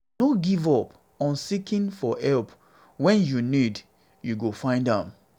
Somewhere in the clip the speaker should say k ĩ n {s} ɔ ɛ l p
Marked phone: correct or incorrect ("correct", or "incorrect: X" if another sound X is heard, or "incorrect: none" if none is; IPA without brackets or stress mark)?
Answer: incorrect: f